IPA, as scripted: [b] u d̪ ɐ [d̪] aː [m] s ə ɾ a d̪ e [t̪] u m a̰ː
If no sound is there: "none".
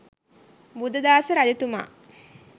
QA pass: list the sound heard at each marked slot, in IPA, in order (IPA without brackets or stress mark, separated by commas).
b, d̪, none, t̪